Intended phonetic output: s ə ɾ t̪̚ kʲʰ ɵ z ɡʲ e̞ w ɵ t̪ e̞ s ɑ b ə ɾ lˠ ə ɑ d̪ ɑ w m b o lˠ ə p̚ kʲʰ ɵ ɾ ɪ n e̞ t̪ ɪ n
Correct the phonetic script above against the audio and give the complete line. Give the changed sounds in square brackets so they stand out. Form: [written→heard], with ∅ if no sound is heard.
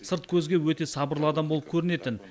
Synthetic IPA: s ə ɾ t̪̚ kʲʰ ɵ z ɡʲ e̞ w ɵ t̪ e̞ s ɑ b ə ɾ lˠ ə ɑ d̪ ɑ [w→∅] m b o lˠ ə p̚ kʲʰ ɵ ɾ ɪ n e̞ t̪ ɪ n